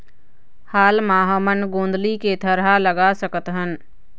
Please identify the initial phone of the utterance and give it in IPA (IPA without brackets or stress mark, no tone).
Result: h